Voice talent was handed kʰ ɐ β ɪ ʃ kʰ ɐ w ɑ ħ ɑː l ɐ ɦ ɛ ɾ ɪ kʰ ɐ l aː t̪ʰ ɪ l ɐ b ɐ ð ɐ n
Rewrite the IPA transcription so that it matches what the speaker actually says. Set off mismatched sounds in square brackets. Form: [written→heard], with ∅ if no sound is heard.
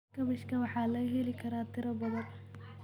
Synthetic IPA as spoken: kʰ ɐ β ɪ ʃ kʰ ɐ w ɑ ħ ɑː l ɐ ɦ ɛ [ɾ→l] ɪ kʰ ɐ [l→ɾ] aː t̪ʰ ɪ [l→ɾ] ɐ b ɐ ð ɐ n